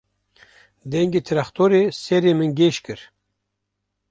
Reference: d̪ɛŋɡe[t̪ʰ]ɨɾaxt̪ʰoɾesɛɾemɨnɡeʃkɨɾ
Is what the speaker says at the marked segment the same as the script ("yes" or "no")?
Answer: yes